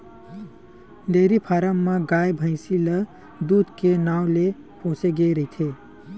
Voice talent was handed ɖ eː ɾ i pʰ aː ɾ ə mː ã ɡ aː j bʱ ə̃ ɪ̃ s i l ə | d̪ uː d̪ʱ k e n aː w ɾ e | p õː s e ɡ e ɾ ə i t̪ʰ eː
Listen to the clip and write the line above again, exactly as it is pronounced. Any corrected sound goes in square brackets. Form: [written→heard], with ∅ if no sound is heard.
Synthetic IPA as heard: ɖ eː ɾ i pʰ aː ɾ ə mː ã ɡ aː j bʱ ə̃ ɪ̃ s i l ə | d̪ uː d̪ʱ k e n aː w [ɾ→l] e | p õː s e ɡ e ɾ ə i t̪ʰ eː